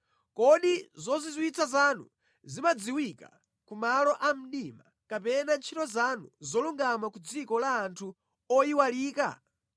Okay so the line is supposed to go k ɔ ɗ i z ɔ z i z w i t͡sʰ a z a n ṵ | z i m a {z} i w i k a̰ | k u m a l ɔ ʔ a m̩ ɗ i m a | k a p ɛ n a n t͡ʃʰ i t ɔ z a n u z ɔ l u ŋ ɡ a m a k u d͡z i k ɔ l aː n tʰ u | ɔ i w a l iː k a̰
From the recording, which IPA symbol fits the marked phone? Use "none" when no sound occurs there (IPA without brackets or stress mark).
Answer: d͡z